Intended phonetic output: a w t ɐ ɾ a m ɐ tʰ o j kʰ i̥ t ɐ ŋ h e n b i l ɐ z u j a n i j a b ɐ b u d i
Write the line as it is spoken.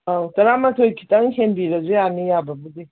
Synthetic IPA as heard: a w t ɐ ɾ a m ɐ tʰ o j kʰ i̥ t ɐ ŋ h e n b i ɾ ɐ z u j a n i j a b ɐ b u d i

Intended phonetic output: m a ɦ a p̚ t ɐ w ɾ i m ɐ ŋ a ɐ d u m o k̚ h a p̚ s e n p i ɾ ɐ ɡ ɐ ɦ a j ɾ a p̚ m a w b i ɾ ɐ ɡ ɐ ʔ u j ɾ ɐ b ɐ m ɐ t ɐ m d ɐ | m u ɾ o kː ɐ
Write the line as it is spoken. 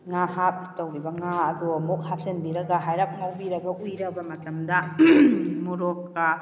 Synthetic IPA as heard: ŋ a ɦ a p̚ t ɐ w ɾ i b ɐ ŋ a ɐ d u m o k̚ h a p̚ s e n b i ɾ ɐ ɡ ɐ ɦ a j ɾ a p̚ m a w b i ɾ ɐ ɡ ɐ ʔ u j ɾ ɐ b ɐ m ɐ t ɐ m d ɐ | m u ɾ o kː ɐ

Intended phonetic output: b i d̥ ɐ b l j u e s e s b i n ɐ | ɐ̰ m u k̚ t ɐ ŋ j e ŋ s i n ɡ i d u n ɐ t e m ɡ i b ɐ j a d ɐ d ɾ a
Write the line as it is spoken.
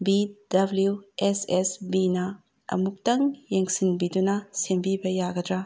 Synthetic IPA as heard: b i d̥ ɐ b l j u e s e s b i n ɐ | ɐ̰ m u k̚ t ɐ ŋ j e ŋ s i n b i d u n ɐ s e m b i b ɐ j a ɡ ɐ d ɾ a

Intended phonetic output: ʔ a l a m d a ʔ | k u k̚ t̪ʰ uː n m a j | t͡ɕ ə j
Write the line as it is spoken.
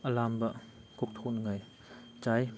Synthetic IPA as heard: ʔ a l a m b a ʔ | k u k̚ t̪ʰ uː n ŋ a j | t͡ɕ a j

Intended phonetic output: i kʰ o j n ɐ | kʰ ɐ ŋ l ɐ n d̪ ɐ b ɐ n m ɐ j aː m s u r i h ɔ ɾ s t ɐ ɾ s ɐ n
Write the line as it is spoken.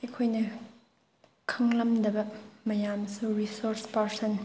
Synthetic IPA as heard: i kʰ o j n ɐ | kʰ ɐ ŋ l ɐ m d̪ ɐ b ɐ m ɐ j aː m s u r i s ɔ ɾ s p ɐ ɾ s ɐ n

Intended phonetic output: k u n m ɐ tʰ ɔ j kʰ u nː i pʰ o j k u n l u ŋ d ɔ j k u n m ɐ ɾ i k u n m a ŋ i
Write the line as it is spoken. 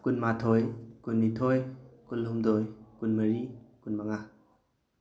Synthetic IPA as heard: k u n m a tʰ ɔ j k u nː i tʰ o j k u n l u m d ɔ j k u n m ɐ ɾ i k u n m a ŋ a

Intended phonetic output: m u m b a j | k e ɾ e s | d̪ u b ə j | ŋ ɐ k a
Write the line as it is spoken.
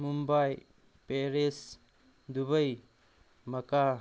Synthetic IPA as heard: m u m b a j | p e ɾ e s | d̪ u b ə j | m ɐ k a

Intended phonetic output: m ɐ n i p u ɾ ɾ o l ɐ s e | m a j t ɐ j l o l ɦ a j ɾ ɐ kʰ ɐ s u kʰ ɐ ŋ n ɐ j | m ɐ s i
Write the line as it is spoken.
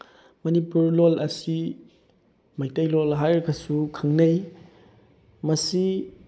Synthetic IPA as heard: m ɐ n i p u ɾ l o l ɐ s i | m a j t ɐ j l o l ɦ a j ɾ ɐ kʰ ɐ s u kʰ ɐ ŋ n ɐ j | m ɐ s i

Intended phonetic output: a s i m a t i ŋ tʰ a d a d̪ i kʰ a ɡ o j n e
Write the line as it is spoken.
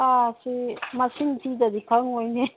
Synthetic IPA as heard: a s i m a s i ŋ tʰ i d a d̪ i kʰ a ŋ o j n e

